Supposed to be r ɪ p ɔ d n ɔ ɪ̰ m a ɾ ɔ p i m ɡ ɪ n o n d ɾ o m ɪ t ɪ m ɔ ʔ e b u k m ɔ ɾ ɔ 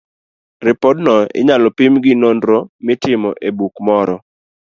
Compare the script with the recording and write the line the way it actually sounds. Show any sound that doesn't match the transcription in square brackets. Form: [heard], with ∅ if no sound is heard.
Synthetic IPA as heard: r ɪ p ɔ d n ɔ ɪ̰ [ɲ] a [l] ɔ p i m ɡ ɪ n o n d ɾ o m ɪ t ɪ m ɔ ʔ e b u k m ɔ ɾ ɔ